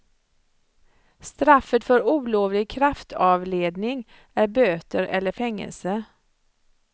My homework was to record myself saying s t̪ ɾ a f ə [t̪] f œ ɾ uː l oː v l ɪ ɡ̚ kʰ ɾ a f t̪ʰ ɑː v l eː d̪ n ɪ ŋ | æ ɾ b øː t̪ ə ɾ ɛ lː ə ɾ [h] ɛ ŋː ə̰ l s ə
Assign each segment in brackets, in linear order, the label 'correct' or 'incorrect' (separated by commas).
correct, incorrect